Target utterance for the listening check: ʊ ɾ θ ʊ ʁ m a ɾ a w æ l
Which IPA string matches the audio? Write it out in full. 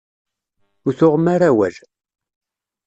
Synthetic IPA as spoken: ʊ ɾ θ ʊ ʁ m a ɾ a w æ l